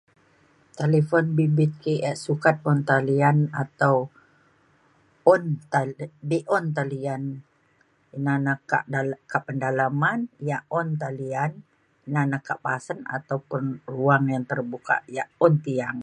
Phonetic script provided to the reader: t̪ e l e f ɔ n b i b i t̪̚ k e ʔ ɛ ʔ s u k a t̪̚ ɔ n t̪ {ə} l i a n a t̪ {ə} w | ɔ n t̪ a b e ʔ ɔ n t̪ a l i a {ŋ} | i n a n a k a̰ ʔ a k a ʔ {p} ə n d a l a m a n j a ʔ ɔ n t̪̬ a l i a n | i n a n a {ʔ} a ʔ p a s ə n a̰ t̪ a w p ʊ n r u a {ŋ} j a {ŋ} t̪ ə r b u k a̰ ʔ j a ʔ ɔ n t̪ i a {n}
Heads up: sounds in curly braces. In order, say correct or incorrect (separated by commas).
incorrect, incorrect, incorrect, correct, incorrect, correct, correct, incorrect